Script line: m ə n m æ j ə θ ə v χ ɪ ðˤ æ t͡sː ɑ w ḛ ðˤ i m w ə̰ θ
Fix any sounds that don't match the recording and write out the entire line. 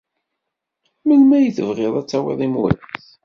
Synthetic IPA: m ə n m æ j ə θ ə v ʁ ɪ ðˤ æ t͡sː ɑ w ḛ ðˤ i m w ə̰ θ